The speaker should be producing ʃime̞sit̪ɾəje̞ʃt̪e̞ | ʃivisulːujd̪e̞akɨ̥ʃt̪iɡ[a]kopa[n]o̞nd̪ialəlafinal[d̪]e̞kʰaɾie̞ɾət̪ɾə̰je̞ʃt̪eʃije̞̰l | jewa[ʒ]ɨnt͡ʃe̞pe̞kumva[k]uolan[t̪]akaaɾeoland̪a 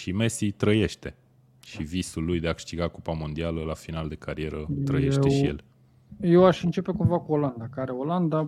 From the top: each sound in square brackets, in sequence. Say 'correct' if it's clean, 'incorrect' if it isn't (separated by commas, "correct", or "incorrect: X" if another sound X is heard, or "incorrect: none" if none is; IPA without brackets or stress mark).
correct, incorrect: m, correct, incorrect: ʃ, correct, incorrect: d̪